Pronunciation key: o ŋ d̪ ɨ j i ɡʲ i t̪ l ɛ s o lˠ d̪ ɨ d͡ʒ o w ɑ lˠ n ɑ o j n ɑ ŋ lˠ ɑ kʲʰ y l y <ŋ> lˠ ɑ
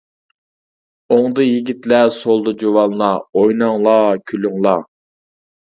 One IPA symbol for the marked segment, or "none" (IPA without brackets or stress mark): ŋ